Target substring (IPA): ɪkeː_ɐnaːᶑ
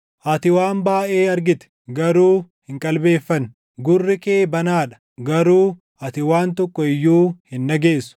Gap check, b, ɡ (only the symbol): b